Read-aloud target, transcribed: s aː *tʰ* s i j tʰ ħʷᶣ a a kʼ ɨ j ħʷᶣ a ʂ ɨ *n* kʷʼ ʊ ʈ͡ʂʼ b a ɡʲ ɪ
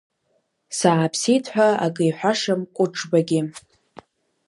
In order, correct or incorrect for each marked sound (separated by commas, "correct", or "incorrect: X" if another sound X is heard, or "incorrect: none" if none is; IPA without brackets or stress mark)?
incorrect: pʰ, incorrect: m